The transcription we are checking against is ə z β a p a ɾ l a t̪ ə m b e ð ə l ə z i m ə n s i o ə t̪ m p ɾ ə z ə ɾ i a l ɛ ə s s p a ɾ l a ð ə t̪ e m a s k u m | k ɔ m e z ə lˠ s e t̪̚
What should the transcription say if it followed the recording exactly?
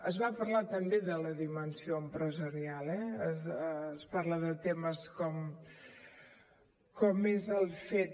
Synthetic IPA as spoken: ə z β a p ə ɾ l a t̪ ə m b e ð ə l ə ð i m ə n s i o ə m p ɾ ə z ə ɾ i a l ɛ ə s s p a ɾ l ə ð ə t̪ e m ə s k ɔ m | k ɔ m e z ə lˠ f e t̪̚